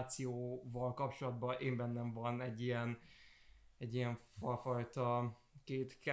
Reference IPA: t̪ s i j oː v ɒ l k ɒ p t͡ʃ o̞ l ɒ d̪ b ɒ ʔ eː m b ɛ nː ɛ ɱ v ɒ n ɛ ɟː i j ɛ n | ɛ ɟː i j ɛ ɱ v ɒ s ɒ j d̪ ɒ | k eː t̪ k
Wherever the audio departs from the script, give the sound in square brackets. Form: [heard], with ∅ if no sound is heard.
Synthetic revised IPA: t̪ s i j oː v ɒ l k ɒ p t͡ʃ o̞ l ɒ d̪ b ɒ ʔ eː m b ɛ nː ɛ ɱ v ɒ n ɛ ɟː i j ɛ n | ɛ ɟː i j ɛ ɱ [f] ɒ [f] ɒ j [t̪] ɒ | k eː t̪ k